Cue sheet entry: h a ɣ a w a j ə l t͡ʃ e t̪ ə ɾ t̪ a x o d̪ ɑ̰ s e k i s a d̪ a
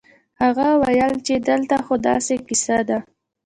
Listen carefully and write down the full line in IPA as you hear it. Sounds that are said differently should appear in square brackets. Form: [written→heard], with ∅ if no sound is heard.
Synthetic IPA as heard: h a ɣ a w a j ə l t͡ʃ e [t̪→d̪] ə [ɾ→l] t̪ a x o d̪ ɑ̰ s e k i s a d̪ a